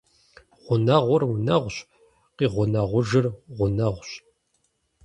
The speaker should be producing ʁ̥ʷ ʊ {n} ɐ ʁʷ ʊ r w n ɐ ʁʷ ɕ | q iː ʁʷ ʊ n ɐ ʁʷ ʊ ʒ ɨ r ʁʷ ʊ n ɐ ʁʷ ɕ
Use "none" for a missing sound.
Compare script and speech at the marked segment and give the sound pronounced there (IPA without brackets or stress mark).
n